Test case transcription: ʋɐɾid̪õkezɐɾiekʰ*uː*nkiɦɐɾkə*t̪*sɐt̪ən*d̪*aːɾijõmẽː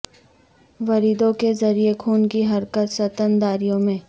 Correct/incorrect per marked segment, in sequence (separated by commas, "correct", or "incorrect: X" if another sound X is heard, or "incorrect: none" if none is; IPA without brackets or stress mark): correct, correct, correct